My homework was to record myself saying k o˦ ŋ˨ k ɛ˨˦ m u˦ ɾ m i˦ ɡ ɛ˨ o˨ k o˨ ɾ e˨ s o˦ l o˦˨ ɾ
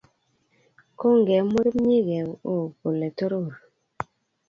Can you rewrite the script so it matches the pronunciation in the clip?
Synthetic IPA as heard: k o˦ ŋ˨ ɡ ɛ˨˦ m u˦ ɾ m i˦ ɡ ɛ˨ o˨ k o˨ l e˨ t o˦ ɾ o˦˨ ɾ